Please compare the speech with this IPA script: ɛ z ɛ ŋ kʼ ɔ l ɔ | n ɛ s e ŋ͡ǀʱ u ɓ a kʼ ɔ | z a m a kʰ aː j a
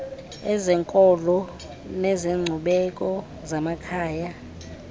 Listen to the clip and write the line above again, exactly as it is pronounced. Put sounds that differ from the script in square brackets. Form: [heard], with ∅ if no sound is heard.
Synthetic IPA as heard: ɛ z ɛ ŋ kʼ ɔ l ɔ | n ɛ [z] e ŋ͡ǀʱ u ɓ [ɛ] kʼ ɔ | z a m a kʰ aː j a